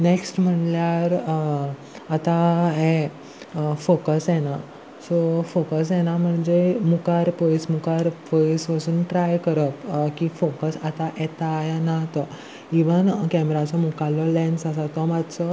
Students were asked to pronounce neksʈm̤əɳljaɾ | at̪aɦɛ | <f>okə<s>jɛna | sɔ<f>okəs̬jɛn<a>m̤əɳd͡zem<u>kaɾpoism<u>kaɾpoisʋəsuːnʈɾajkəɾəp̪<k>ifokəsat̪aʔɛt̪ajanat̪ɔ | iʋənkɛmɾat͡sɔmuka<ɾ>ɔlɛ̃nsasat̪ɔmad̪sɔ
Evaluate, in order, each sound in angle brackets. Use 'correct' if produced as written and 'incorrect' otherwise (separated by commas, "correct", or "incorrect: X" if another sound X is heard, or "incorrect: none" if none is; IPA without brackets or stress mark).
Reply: correct, correct, correct, correct, correct, correct, correct, incorrect: l